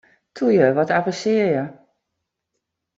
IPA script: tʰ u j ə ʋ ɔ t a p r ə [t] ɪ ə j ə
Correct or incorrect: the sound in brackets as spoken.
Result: incorrect: s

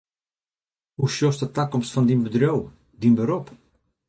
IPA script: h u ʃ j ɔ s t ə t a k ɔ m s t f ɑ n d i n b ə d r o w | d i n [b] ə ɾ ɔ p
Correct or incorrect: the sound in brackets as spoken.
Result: correct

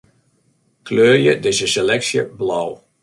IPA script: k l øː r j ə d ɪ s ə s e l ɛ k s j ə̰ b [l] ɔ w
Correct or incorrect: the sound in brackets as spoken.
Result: correct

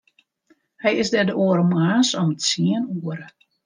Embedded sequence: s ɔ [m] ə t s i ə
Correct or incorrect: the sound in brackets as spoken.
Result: correct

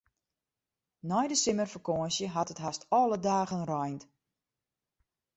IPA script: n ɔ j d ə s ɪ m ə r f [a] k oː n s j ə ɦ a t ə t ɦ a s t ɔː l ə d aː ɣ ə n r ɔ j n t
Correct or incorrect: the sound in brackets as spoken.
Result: incorrect: ə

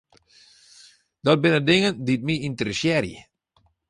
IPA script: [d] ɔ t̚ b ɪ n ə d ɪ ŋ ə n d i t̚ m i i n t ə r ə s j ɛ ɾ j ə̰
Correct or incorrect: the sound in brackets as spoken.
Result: correct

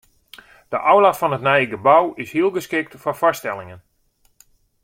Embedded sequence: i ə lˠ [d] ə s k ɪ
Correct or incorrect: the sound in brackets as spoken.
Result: incorrect: ɡ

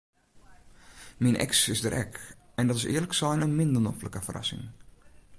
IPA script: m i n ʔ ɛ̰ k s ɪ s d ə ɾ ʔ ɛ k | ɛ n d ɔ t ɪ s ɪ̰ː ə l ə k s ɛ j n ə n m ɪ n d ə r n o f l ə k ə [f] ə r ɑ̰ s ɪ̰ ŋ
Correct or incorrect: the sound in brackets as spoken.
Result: correct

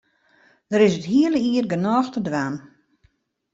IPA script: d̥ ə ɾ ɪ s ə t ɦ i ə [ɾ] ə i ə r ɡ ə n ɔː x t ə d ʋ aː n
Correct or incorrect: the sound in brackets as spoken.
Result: incorrect: l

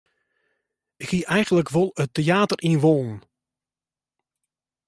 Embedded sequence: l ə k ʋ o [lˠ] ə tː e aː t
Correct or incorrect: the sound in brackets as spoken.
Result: correct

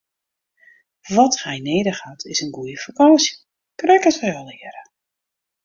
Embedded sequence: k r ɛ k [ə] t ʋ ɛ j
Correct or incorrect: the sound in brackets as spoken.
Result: correct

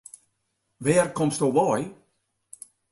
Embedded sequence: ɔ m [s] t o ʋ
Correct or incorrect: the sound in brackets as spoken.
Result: correct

